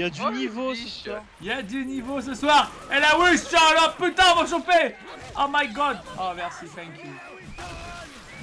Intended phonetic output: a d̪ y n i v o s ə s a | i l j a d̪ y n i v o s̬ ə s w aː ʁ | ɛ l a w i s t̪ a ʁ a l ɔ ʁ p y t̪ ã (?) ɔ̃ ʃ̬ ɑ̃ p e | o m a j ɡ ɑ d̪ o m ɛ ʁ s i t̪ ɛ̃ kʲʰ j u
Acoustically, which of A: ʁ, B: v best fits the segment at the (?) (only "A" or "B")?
B